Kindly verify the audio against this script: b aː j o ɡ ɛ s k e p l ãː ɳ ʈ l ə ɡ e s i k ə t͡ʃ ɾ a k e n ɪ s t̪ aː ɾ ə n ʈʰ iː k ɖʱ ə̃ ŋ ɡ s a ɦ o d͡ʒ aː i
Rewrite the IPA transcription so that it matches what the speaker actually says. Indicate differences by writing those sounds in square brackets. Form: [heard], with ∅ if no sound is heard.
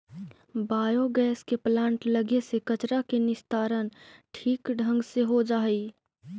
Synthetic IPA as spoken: b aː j o ɡ [ɛː] s k e p l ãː ɳ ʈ l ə ɡ e s [e] k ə t͡ʃ ɾ a k e n ɪ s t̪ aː ɾ ə n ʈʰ iː k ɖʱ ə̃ ŋ ɡ s [e] ɦ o d͡ʒ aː i